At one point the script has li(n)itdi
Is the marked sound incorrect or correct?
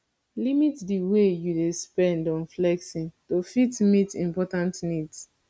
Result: incorrect: m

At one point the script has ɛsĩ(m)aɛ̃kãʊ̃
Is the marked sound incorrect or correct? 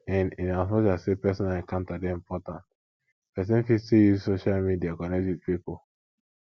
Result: incorrect: n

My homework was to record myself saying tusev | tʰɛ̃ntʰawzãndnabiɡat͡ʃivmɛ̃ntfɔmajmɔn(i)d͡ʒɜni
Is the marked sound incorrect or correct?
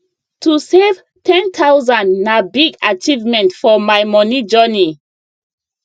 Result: correct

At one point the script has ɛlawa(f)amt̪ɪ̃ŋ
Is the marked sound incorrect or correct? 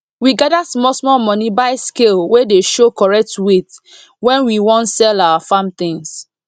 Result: correct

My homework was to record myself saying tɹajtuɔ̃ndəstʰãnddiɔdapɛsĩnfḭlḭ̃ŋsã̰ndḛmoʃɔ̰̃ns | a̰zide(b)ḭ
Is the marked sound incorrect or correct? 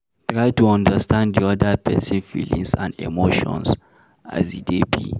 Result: correct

